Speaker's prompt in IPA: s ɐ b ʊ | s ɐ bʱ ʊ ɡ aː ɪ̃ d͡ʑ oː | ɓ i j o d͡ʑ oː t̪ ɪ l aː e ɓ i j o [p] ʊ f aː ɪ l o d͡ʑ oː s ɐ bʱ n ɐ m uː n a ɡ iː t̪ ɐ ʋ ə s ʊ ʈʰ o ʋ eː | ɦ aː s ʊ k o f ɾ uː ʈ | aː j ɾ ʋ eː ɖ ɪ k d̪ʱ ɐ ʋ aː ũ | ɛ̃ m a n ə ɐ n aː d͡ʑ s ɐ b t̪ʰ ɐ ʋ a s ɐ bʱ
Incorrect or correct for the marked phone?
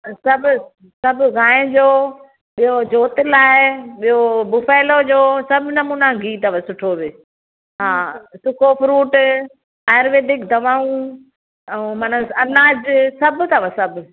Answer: incorrect: b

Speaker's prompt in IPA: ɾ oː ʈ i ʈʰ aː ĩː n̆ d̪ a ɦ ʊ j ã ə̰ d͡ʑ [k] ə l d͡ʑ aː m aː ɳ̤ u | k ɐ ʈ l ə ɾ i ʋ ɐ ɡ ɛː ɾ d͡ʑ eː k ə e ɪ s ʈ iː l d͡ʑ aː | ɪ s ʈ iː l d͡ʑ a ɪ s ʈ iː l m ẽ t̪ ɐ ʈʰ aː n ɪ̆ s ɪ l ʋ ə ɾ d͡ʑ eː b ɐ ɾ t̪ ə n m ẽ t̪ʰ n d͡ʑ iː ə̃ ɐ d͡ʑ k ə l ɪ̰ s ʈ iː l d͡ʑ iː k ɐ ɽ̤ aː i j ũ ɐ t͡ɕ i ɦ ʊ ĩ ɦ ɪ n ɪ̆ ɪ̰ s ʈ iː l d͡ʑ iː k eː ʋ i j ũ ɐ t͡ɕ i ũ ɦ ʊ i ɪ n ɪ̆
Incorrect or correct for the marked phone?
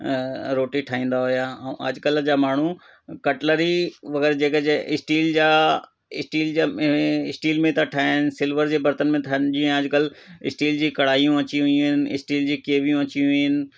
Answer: correct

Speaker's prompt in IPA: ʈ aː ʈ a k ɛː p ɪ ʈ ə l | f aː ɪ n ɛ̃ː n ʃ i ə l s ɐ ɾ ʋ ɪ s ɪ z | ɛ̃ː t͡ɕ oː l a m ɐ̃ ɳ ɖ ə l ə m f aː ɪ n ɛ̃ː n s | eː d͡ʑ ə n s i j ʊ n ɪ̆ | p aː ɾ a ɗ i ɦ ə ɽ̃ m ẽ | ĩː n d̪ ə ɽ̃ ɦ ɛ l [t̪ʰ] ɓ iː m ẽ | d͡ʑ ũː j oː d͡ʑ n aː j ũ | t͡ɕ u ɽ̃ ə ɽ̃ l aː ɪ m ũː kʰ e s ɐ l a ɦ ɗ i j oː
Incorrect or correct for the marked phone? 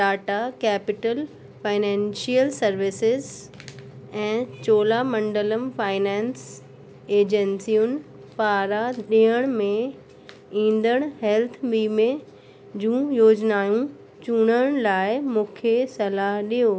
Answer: correct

